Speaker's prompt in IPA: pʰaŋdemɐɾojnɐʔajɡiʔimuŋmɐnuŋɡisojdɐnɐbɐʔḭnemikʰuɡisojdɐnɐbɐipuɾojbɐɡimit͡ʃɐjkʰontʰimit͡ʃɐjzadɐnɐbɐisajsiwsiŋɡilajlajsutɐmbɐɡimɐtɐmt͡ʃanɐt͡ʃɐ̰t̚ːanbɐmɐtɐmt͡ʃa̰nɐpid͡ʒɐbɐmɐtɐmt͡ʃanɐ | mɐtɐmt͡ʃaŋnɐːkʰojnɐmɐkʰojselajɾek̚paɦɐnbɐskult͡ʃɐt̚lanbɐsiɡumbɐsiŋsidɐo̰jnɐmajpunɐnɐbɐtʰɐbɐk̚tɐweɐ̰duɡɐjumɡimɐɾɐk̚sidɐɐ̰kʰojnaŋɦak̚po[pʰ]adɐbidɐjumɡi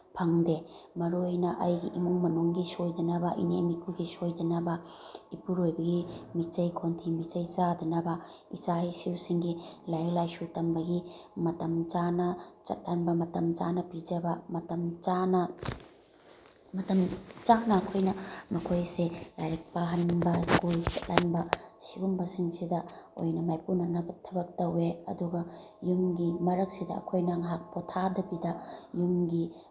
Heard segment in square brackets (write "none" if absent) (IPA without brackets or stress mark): tʰ